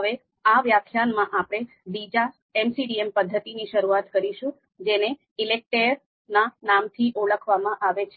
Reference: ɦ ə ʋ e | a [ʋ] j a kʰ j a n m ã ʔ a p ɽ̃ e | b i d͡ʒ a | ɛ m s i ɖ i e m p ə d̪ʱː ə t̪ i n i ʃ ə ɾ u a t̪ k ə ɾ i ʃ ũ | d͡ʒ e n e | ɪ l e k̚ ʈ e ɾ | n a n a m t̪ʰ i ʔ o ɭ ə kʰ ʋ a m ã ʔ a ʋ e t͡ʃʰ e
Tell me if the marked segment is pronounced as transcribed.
yes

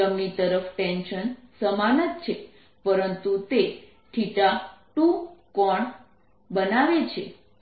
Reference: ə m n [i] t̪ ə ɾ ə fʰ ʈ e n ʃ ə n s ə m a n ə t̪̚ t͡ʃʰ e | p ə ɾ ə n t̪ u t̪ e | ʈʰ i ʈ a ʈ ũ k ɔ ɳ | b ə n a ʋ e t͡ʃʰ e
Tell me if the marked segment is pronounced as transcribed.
yes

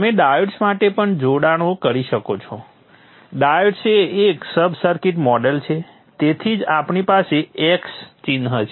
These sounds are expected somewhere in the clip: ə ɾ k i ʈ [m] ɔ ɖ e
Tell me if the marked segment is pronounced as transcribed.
yes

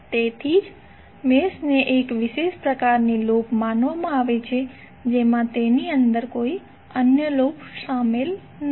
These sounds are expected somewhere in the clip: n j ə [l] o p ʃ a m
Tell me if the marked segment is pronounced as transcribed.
yes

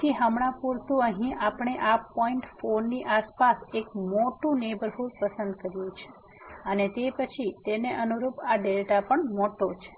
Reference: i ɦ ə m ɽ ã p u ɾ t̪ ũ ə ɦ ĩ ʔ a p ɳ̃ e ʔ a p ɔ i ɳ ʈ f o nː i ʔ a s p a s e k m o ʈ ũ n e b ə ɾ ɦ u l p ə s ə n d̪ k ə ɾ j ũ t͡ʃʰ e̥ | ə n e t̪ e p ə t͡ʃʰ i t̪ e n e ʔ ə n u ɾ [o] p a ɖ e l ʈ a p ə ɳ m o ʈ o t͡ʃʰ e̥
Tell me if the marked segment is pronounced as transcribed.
no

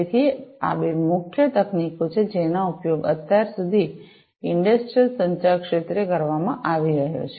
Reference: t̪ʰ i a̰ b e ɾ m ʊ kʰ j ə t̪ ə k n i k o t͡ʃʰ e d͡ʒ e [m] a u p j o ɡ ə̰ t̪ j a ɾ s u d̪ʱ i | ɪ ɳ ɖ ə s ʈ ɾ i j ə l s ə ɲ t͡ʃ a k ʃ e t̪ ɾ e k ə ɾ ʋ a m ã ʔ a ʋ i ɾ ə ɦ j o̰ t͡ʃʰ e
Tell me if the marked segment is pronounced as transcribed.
no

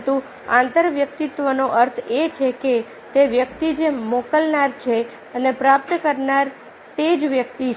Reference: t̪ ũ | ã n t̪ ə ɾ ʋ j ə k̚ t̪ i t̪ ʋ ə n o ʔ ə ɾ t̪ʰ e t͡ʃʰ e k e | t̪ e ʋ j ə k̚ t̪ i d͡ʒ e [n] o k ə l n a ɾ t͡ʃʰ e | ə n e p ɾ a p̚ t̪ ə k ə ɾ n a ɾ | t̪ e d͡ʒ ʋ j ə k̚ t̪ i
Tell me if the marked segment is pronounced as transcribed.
no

